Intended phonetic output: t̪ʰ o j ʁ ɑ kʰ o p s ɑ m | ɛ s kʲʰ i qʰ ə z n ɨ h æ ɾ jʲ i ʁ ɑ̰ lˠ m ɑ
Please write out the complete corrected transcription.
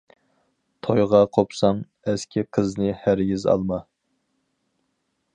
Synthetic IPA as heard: t̪ʰ o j ʁ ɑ qʰ o p s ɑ ŋ | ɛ s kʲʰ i qʰ ə z n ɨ h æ ɾ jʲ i z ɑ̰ lˠ m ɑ